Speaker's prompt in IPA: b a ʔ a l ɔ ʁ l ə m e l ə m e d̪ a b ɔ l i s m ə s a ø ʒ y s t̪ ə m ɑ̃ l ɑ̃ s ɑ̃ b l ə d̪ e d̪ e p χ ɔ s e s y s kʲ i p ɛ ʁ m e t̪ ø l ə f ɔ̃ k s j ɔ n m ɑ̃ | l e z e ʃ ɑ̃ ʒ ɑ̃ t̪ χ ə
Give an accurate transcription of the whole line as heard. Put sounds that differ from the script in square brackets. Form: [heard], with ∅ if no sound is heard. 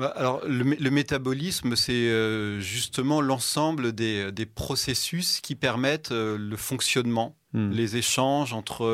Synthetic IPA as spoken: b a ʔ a l ɔ ʁ l ə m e l ə m e [t̪] a b ɔ l i s m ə s [ɛ] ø ʒ y s t̪ ə m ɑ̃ l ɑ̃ s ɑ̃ b l ə d̪ e d̪ e p χ ɔ s e s y s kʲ i p ɛ ʁ m [ɛ] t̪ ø l ə f ɔ̃ k s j ɔ n m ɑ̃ | l e z e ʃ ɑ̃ ʒ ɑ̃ t̪ χ ə